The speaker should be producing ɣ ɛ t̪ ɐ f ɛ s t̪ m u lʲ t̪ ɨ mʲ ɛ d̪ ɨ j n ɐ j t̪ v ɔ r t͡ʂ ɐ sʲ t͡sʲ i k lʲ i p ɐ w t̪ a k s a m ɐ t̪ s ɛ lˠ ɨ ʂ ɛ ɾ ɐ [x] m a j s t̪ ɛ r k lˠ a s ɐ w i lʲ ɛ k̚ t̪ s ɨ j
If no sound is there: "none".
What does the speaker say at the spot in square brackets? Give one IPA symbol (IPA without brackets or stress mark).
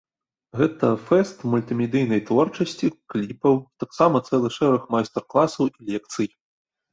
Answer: x